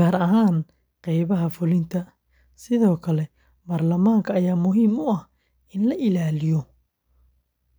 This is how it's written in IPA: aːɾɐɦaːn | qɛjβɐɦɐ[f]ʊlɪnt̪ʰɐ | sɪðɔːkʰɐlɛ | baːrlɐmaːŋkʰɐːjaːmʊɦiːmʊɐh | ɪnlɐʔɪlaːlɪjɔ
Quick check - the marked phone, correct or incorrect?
correct